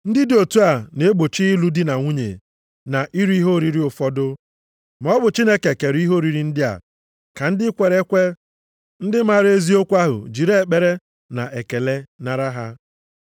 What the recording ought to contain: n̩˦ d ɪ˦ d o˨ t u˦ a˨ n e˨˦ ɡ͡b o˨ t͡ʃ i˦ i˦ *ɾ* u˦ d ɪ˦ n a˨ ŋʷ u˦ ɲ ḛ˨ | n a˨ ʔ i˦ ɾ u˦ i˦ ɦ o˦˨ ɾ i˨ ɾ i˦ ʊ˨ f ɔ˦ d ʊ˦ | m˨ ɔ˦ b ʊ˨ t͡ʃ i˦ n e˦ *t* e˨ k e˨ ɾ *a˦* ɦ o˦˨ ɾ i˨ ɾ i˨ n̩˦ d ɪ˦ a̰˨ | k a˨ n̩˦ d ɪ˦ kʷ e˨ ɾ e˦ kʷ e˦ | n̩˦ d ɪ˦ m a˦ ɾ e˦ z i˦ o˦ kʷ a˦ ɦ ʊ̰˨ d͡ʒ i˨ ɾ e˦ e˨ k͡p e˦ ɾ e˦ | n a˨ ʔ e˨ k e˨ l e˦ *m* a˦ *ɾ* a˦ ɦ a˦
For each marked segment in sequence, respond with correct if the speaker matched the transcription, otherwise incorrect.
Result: incorrect, incorrect, incorrect, incorrect, correct

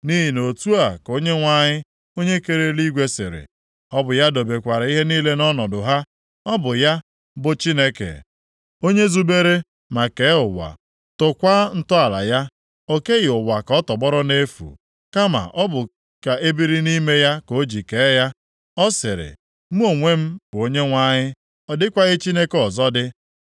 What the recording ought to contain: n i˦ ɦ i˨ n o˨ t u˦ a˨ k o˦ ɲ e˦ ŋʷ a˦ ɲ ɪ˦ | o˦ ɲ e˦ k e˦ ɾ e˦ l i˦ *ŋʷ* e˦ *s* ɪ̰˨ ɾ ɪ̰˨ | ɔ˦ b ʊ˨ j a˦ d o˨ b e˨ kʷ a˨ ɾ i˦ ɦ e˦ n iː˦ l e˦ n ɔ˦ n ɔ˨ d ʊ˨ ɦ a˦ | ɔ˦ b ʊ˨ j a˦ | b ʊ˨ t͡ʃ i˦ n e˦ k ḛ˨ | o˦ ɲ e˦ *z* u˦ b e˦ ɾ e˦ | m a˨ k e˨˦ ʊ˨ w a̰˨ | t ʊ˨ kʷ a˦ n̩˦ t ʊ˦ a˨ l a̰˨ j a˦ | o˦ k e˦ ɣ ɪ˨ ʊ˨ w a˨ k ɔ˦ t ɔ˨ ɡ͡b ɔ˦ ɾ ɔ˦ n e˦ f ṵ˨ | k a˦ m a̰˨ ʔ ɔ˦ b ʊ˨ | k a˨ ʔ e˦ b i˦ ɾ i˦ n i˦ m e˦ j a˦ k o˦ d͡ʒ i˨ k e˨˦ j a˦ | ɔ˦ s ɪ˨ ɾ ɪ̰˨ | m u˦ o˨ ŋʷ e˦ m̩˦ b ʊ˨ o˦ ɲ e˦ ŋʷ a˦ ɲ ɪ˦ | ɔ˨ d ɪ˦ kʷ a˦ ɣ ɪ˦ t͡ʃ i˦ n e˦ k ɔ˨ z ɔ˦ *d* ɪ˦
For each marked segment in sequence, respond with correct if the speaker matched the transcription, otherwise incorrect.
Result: incorrect, correct, correct, correct

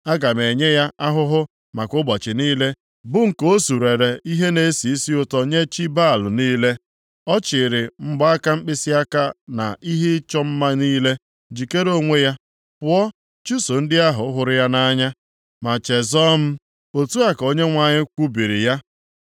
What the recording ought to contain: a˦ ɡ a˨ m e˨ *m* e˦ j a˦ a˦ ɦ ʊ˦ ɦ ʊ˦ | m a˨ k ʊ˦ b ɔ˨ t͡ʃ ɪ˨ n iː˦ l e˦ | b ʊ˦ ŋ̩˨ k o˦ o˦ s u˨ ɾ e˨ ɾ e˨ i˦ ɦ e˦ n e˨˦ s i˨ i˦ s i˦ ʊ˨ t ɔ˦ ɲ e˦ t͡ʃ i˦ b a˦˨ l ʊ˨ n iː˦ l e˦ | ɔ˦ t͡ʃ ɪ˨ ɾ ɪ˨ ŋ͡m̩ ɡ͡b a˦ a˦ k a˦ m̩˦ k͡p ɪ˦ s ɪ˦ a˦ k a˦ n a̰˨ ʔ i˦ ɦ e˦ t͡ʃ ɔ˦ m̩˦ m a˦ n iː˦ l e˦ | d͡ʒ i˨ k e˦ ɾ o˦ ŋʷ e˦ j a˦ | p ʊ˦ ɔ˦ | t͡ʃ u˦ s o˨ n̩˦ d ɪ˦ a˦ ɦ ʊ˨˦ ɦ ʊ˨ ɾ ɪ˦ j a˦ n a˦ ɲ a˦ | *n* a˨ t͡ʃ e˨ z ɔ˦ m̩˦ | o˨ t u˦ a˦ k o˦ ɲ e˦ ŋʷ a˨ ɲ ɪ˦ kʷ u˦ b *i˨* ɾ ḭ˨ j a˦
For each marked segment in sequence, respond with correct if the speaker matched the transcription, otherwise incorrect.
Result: incorrect, incorrect, correct

